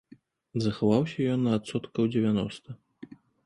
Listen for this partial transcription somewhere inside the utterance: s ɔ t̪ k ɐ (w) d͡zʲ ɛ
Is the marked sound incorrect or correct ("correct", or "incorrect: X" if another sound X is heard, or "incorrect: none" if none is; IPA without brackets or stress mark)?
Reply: correct